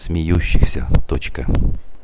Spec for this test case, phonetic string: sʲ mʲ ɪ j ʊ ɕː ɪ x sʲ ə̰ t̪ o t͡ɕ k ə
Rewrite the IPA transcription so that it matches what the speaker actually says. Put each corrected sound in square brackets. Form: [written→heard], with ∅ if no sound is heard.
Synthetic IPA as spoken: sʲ mʲ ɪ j [ʊ→u] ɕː ɪ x sʲ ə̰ t̪ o t͡ɕ k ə